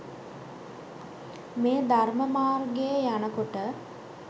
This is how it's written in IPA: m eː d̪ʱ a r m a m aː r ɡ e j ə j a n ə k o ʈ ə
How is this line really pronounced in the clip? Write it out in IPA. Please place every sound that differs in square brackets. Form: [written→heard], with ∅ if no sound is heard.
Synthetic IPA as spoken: m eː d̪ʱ a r m [a→ə] m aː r ɡ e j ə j a n ə k o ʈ ə